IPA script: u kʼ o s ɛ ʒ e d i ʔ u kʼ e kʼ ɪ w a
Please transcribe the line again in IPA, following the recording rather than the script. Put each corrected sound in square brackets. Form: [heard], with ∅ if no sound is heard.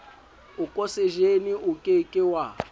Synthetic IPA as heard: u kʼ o s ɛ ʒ e [n] i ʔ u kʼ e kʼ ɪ w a